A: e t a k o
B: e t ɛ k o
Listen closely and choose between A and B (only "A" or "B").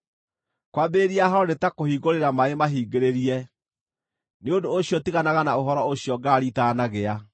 A